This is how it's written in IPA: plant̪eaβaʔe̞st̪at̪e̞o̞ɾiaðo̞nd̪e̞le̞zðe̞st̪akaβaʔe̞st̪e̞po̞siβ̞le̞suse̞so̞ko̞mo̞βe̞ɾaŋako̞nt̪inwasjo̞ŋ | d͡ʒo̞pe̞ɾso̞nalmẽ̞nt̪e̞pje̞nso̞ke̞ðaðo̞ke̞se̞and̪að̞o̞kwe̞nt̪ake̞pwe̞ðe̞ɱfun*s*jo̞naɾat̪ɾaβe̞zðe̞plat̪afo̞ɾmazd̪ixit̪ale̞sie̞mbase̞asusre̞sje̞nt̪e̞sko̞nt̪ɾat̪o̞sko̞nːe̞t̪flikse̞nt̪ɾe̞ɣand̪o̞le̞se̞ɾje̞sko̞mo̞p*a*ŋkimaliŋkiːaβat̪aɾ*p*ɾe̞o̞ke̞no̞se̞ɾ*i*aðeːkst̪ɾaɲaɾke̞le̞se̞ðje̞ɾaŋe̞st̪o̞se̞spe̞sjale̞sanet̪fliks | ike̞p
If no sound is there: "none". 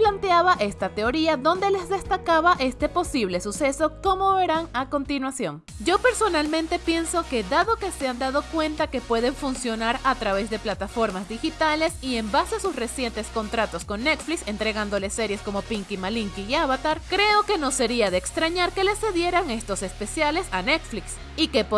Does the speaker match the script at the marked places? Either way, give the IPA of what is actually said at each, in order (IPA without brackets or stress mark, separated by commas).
s, i, k, i